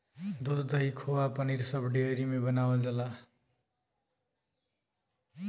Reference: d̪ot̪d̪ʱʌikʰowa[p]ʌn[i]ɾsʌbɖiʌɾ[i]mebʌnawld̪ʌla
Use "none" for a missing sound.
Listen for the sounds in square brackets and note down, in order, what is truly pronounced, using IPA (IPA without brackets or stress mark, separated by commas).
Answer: p, i, i